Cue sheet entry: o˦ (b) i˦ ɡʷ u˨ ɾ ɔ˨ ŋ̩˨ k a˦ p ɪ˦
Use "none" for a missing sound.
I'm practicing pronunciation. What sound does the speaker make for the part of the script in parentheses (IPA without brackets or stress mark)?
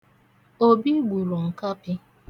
b